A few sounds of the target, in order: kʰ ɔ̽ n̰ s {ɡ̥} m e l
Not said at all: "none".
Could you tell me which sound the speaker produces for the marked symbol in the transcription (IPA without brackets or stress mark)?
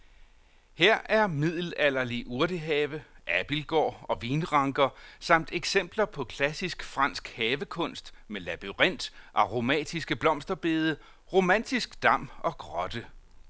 d̥